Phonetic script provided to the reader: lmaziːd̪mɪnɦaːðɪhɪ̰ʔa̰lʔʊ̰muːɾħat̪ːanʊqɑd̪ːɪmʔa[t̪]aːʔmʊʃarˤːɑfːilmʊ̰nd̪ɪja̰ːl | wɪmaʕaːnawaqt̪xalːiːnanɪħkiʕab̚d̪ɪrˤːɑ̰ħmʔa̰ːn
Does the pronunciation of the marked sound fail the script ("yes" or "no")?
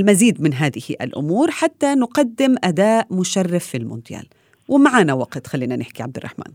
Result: yes